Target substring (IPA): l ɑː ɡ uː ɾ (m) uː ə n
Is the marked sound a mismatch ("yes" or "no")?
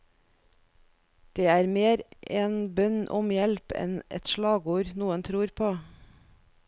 yes